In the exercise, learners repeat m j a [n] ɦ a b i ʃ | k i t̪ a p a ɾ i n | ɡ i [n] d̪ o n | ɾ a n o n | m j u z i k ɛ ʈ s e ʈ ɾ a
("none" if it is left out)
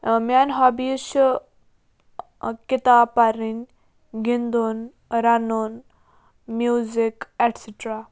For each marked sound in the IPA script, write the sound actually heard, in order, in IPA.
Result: n, n

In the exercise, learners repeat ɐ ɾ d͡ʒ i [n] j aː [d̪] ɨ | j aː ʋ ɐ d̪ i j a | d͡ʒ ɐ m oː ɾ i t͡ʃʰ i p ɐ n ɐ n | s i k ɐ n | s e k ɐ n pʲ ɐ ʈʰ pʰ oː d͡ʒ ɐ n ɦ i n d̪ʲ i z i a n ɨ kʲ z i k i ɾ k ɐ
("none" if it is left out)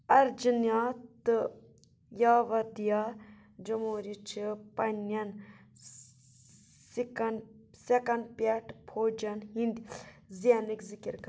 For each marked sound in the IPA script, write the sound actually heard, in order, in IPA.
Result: n, t̪

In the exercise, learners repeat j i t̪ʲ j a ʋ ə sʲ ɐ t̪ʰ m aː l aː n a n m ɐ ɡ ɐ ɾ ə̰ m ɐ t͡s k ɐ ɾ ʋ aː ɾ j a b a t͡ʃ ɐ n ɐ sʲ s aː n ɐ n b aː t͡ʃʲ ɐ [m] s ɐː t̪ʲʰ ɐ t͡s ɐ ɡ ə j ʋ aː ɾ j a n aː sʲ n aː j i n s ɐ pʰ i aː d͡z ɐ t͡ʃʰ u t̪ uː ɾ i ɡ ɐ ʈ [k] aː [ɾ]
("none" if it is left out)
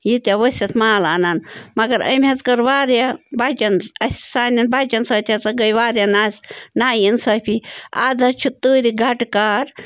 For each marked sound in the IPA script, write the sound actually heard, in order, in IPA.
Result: n, k, ɾ

